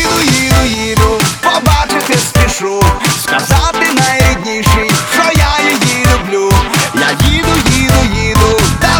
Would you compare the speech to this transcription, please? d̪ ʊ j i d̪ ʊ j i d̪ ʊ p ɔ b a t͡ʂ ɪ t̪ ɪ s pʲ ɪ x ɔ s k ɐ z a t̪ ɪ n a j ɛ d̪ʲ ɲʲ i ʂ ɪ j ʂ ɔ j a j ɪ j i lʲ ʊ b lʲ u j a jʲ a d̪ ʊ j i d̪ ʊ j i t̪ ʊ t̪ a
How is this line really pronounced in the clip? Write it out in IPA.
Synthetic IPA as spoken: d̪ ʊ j i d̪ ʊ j i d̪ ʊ p ɔ b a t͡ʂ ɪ t̪ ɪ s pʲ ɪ ʂ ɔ s k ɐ z a t̪ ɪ n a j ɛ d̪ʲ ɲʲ i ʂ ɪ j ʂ ɔ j a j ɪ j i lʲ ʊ b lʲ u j a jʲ i d̪ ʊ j i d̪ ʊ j i d̪ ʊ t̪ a